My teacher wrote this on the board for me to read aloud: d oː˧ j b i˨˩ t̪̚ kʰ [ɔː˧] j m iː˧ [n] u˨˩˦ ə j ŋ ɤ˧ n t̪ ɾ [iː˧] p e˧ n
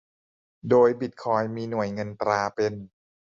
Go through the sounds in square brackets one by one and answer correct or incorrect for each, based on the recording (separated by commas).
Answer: correct, correct, incorrect